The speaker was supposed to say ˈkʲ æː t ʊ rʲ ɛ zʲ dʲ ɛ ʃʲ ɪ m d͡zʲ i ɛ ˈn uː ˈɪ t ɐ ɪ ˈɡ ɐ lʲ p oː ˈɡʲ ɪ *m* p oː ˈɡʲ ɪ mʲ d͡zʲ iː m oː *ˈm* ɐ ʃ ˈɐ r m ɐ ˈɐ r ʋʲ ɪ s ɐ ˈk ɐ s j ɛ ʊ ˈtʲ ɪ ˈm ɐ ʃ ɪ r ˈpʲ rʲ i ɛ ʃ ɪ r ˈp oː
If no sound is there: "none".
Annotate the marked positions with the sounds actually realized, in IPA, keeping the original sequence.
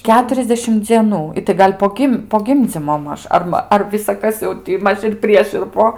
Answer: m, m

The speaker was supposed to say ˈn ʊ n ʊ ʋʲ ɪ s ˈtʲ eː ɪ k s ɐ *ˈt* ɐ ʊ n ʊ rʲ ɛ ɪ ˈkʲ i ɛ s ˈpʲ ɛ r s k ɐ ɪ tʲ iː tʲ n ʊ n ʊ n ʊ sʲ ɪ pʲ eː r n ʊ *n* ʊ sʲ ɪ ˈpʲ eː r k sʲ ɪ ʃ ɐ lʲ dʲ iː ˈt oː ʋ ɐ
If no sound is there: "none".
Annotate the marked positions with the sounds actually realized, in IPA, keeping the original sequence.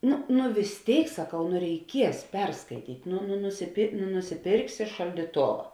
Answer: k, n

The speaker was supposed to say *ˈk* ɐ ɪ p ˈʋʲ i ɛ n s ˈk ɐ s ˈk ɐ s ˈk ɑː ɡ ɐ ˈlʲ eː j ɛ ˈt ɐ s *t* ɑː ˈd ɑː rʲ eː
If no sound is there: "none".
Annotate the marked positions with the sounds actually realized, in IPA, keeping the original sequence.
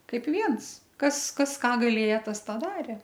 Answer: k, t

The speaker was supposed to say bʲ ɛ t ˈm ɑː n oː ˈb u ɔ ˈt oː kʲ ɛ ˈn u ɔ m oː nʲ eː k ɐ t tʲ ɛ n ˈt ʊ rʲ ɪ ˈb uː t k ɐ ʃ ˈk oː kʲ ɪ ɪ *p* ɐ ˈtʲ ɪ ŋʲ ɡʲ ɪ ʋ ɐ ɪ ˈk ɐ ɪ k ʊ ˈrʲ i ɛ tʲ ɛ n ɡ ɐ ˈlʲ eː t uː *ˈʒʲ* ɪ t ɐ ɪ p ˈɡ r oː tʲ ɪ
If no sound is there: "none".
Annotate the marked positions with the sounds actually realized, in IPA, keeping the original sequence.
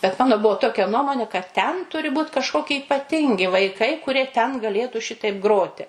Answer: p, ʃʲ

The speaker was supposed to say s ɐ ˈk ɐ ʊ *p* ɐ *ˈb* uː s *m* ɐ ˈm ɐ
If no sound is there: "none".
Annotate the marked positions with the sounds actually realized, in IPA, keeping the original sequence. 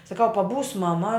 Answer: p, b, m

